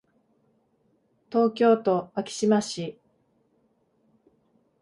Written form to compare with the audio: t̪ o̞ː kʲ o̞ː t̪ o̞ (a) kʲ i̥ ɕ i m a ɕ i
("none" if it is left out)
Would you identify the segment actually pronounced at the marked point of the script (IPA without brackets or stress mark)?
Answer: a